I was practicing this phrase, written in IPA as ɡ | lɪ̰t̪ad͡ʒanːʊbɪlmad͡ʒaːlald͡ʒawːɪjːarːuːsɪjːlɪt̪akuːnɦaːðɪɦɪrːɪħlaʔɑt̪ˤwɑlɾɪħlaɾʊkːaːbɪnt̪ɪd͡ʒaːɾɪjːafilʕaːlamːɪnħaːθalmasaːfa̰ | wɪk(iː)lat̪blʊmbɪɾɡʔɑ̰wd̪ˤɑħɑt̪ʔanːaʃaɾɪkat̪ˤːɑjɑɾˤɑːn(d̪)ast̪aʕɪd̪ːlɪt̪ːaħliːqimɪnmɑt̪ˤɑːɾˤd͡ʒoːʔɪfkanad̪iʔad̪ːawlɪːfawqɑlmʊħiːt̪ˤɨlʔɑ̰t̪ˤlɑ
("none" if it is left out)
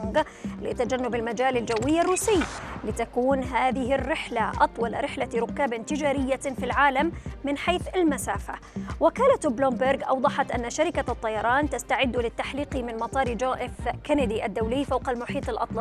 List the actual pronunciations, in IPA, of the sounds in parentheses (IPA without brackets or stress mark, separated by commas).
aː, t̪